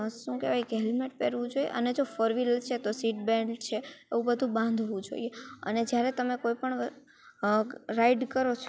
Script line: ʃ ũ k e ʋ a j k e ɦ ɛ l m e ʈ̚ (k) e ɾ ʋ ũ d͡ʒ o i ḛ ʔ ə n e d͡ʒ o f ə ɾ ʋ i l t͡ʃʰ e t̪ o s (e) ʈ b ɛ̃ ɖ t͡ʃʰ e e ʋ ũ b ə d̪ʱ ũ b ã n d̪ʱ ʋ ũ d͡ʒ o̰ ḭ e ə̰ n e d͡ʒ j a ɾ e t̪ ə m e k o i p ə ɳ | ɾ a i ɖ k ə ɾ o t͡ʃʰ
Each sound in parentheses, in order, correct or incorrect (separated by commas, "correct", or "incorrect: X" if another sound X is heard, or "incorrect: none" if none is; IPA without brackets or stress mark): incorrect: p, incorrect: i